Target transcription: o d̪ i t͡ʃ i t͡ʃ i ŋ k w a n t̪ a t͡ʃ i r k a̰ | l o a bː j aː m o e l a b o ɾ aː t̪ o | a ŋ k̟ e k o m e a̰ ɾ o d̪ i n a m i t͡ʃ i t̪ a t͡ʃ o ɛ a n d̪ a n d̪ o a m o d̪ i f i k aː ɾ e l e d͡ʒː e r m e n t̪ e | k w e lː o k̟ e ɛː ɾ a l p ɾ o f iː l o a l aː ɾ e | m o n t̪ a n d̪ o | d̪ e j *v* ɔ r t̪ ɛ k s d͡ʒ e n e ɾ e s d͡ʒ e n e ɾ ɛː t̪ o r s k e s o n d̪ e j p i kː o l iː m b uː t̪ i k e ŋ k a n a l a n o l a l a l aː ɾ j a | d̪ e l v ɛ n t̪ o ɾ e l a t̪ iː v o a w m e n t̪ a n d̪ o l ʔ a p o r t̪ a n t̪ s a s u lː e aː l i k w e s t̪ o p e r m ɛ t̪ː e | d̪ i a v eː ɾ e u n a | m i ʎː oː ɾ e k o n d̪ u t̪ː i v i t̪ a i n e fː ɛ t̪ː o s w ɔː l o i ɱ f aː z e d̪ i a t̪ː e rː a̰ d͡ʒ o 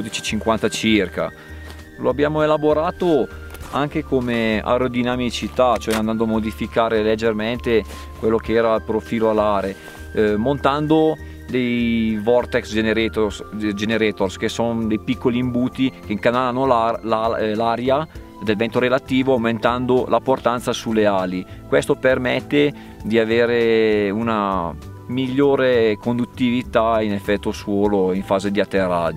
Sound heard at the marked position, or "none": v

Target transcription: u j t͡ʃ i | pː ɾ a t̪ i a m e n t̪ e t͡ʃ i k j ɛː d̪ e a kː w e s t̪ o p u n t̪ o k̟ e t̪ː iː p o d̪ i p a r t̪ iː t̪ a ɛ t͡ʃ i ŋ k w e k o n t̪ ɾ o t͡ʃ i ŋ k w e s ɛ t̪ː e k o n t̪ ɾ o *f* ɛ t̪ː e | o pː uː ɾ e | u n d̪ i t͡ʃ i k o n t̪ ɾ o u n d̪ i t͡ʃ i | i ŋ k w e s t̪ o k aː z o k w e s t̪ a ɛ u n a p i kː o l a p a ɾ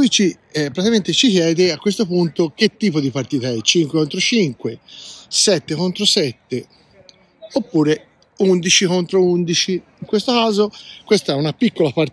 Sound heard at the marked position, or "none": s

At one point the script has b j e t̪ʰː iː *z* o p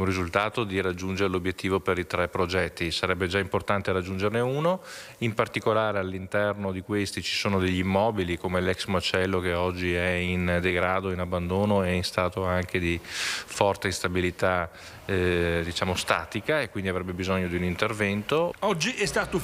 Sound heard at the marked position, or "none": v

